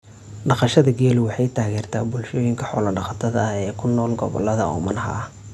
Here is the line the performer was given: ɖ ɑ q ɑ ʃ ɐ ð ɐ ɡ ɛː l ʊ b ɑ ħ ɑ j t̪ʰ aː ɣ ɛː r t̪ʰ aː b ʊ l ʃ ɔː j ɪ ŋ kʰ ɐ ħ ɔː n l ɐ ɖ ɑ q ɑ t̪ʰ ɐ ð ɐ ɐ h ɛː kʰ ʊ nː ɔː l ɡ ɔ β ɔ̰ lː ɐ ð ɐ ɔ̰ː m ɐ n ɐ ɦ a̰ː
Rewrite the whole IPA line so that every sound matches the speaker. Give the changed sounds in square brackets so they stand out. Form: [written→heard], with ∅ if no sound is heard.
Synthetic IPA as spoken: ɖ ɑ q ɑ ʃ ɐ ð ɐ ɡ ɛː l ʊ [b→w] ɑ ħ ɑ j t̪ʰ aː ɣ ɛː r t̪ʰ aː b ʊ l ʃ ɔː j ɪ ŋ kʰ ɐ ħ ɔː [n→∅] l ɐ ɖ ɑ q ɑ t̪ʰ ɐ ð ɐ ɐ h ɛː kʰ ʊ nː ɔː l ɡ ɔ β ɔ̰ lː ɐ ð ɐ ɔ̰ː m ɐ n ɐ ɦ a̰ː